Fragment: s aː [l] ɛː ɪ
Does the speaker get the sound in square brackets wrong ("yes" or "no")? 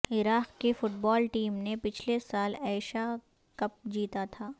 no